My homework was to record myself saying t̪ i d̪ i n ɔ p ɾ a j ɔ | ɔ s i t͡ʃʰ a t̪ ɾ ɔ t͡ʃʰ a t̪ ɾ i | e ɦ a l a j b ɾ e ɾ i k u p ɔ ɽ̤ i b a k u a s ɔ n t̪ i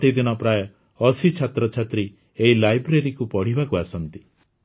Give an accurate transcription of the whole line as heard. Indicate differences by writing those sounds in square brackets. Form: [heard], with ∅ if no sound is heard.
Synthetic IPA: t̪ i d̪ i n ɔ p ɾ a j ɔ | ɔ s i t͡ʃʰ a t̪ ɾ ɔ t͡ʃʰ a t̪ ɾ i | e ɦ [i] l a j b ɾ e ɾ i k u p ɔ ɽ̤ i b a k u a s ɔ n t̪ i